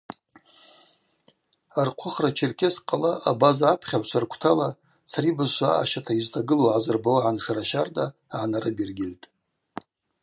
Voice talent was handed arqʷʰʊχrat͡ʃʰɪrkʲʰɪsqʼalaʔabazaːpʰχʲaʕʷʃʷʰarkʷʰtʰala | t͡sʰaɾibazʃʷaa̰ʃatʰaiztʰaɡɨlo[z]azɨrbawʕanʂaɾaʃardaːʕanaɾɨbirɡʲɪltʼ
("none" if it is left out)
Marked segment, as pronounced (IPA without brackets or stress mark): ʕ